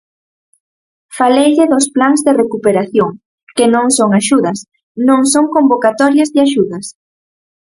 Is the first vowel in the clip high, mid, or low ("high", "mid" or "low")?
low